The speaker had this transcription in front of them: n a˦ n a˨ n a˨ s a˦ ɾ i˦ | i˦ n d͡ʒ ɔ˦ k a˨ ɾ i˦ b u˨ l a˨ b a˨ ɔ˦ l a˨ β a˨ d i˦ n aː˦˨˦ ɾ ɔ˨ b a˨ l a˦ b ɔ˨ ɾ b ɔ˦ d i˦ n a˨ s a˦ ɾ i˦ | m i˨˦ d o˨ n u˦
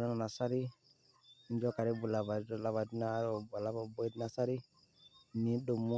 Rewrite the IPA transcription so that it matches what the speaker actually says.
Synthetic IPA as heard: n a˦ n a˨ n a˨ s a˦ ɾ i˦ | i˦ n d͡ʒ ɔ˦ k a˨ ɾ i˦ b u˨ l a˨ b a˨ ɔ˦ l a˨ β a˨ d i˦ n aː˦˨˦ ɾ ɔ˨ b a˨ l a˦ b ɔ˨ b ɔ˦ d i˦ n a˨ s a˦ ɾ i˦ | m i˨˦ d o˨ m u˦